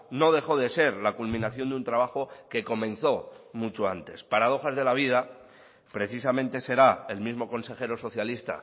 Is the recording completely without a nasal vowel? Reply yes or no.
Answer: no